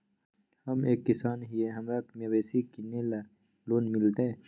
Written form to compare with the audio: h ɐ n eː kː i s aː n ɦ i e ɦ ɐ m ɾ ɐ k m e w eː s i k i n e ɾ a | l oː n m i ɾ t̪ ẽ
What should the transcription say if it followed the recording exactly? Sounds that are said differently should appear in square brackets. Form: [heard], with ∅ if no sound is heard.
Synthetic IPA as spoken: h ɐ [m] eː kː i s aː n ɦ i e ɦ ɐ m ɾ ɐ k m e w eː s i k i n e [l] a | l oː n m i [l] t̪ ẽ